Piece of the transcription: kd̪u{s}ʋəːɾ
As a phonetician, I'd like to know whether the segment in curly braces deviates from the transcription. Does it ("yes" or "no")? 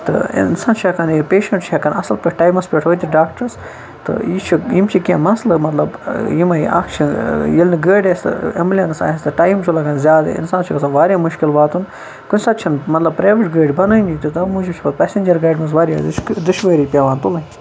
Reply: yes